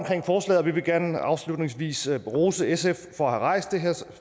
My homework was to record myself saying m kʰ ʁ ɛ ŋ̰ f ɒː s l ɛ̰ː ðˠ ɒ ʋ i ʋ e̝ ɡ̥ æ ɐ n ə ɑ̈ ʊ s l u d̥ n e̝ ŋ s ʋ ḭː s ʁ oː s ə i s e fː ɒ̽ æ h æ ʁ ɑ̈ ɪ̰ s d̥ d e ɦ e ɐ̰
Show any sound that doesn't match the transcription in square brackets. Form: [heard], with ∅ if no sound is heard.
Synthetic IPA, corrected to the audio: m kʰ ʁ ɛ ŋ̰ f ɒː s l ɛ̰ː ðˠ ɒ ʋ i ʋ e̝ ɡ̥ æ ɐ n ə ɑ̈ ʊ s l u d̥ n e̝ ŋ s ʋ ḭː s ʁ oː s ə [e] s e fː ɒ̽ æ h æ ʁ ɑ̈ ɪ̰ s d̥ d e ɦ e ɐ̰